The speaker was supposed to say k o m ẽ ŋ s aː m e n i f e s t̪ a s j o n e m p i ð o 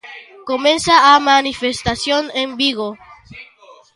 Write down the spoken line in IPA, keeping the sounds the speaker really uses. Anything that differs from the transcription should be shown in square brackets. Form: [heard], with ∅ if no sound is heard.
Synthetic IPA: k o m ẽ [n] s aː m [a] n i f e s t̪ a s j o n e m [b] i [ɣ] o